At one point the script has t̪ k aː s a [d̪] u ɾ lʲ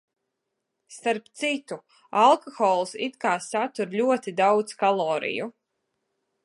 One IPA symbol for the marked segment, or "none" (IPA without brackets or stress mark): t̪